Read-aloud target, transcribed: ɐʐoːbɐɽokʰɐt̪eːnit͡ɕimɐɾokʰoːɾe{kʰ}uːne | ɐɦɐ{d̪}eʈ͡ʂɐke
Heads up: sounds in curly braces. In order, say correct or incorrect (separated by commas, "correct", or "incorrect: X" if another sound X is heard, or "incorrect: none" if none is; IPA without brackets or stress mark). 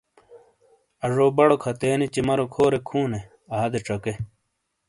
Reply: correct, correct